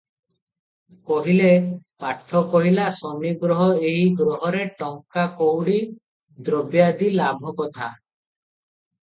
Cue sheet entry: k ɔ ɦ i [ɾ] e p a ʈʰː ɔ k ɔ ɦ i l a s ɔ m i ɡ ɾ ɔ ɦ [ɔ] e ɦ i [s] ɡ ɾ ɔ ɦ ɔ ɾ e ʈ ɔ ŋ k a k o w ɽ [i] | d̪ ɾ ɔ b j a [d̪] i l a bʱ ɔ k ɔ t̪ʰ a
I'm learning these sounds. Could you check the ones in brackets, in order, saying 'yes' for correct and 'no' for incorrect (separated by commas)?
no, yes, no, yes, yes